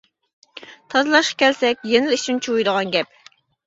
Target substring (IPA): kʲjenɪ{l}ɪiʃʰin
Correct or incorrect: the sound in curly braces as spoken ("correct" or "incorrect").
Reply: correct